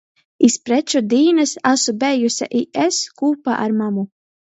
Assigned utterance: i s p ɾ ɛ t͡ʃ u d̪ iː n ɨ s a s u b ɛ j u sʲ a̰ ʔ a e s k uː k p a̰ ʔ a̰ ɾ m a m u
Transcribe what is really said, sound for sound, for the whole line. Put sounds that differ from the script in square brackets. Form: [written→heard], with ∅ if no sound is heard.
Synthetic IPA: i s p ɾ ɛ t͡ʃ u d̪ iː n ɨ s a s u b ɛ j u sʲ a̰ ʔ [a→i] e s k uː [k→∅] p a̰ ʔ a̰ ɾ m a m u